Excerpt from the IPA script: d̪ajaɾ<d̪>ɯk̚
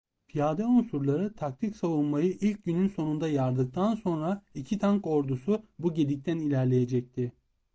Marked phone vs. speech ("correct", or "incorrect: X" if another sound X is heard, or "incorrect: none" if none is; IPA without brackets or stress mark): correct